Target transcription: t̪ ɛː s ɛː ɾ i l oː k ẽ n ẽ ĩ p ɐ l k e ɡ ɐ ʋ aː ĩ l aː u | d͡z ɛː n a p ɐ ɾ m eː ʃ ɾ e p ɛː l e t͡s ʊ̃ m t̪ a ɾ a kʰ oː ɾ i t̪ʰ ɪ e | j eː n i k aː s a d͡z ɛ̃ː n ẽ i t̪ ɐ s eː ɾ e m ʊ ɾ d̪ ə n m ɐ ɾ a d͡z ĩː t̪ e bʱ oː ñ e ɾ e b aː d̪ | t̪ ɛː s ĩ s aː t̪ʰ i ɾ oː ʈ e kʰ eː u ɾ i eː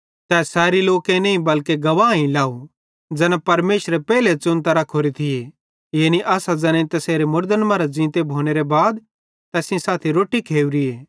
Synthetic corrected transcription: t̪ ɛː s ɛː ɾ i l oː k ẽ n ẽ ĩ b ɐ l k e ɡ ɐ ʋ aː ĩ l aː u | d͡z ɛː n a p ɐ ɾ m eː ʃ ɾ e p ɛː l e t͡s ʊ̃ n t̪ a ɾ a kʰ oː ɾ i t̪ʰ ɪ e | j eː n i ʔ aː s a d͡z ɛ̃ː n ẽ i t̪ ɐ s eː ɾ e m ʊ ɾ d̪ ə n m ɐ ɾ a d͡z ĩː t̪ e bʱ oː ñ e ɾ e b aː d̪ | t̪ ɛː s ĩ s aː t̪ʰ i ɾ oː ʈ i kʰ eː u ɾ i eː